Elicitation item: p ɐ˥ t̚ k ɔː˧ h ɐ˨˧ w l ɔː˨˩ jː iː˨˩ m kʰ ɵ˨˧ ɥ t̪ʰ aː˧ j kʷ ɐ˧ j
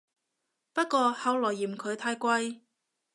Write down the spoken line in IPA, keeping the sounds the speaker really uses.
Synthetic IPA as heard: p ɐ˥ t̚ k ɔː˧ h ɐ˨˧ w l ɔː˨˩ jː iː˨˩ m kʰ ɵ˨˧ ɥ t̪ʰ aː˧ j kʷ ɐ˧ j